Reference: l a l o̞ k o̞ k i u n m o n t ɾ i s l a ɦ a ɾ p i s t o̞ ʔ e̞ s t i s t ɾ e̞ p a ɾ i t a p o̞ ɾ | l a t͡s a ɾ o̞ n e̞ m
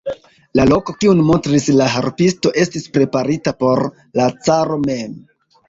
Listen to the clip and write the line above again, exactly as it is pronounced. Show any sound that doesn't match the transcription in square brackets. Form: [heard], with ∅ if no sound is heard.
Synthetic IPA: l a l o̞ k o̞ k i u n m o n t ɾ i s l a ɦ a ɾ p i s t o̞ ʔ e̞ s t i s [p] ɾ e̞ p a ɾ i t a p o̞ ɾ | l a t͡s a ɾ o̞ [m] e̞ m

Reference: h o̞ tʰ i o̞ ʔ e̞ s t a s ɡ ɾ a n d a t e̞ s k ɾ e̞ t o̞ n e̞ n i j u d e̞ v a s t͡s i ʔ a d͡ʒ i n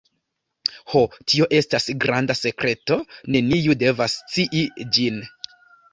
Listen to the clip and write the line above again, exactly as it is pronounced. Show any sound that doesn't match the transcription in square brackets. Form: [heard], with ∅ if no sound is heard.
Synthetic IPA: h o̞ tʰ i o̞ ʔ e̞ s t a s ɡ ɾ a n d a [s] e̞ [∅] k ɾ e̞ t o̞ n e̞ n i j u d e̞ v a s t͡s i ʔ [i] d͡ʒ i n

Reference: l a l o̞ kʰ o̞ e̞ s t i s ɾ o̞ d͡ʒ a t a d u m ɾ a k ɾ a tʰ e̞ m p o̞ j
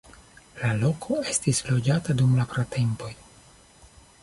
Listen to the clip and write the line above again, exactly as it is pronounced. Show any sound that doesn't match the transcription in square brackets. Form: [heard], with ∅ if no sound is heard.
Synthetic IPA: l a l o̞ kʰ o̞ e̞ s t i s [l] o̞ d͡ʒ a t a d u m [l] a [p] ɾ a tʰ e̞ m p o̞ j

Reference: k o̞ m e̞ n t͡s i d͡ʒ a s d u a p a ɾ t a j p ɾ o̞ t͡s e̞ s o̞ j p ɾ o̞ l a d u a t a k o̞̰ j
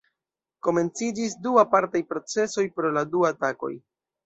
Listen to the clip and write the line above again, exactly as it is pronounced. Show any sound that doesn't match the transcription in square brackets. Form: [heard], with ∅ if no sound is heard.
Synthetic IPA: k o̞ m e̞ n t͡s i d͡ʒ [i] s d u a p a ɾ t a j p ɾ o̞ t͡s e̞ s o̞ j p ɾ o̞ l a d u a t a k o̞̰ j

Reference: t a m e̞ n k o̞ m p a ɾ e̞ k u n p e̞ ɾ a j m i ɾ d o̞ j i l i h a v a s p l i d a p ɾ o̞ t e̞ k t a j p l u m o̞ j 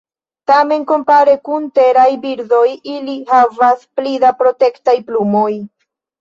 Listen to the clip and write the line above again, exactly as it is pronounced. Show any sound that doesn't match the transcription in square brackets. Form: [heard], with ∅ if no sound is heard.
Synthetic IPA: t a m e̞ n k o̞ m p a ɾ e̞ k u n [t] e̞ ɾ a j [b] i ɾ d o̞ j i l i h a v a s p l i d a p ɾ o̞ t e̞ k t a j p l u m o̞ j

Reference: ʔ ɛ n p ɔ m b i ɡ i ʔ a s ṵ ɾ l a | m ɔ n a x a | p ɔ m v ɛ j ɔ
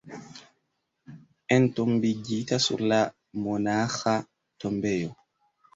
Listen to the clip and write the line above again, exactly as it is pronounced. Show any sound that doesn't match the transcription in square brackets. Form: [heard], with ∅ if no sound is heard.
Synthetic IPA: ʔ ɛ n [t] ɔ m b i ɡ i [t] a s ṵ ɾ l a | m ɔ n a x a | [t] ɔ m [b] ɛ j ɔ

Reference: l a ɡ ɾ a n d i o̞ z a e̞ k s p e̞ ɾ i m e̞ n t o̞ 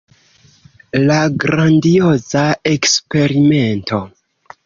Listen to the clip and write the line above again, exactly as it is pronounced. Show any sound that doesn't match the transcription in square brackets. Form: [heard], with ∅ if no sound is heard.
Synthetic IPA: l a ɡ ɾ a n d i o̞ z a e̞ k s p e̞ ɾ i m e̞ n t o̞

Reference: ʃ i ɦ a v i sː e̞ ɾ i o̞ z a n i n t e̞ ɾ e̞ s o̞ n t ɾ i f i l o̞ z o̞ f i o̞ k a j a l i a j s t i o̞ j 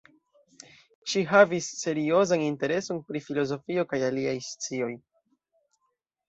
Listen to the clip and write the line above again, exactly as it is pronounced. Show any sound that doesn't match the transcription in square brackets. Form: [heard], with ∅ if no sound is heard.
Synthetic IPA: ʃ i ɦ a v i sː e̞ ɾ i o̞ z a n i n t e̞ ɾ e̞ s o̞ n [p] ɾ i f i l o̞ z o̞ f i o̞ k a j a l i a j s [t͡s] i o̞ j

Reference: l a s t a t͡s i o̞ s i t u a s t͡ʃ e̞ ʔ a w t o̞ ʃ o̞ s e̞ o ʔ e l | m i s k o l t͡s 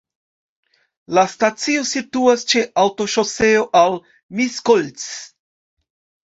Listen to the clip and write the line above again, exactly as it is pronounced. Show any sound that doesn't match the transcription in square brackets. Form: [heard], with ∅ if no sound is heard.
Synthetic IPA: l a s t a t͡s i o̞ s i t u a s t͡ʃ e̞ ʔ a w t o̞ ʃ o̞ s e̞ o ʔ [a] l | m i s k o l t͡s

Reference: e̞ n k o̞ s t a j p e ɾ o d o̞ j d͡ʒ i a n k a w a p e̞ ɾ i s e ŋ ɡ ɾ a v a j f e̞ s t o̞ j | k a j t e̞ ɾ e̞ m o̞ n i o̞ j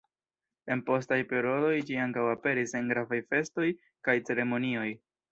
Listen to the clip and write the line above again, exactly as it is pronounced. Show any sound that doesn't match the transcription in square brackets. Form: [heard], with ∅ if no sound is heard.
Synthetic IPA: e̞ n [p] o̞ s t a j p e ɾ o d o̞ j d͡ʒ i a [ŋ] k a w a p e̞ ɾ i s e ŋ ɡ ɾ a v a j f e̞ s t o̞ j | k a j [t͡s] e̞ ɾ e̞ m o̞ n i o̞ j

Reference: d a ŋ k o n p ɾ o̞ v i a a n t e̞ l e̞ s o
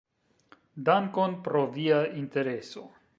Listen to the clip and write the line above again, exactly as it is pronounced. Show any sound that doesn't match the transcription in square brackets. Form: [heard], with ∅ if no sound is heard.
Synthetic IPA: d a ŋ k o n p ɾ o̞ v i a [i] n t e̞ [ɾ] e̞ s o

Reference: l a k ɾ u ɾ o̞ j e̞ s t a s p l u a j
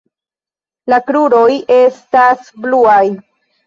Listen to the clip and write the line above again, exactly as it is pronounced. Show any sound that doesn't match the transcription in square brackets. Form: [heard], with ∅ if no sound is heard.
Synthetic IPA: l a k ɾ u ɾ o̞ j e̞ s t a s [b] l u a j

